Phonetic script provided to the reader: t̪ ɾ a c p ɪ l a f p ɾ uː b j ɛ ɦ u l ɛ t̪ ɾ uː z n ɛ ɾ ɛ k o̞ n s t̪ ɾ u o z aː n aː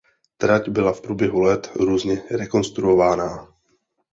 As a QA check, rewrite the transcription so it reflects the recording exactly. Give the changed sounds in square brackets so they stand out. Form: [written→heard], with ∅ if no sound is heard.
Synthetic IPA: t̪ ɾ a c [p→b] ɪ l a f p ɾ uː b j ɛ ɦ u l ɛ t̪ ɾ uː z [n→ɲ] ɛ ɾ ɛ k o̞ n s t̪ ɾ u o [z→v] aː n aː